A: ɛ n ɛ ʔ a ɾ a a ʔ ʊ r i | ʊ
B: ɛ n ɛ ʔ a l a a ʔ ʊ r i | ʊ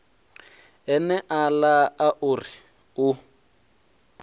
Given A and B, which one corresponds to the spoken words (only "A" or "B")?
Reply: B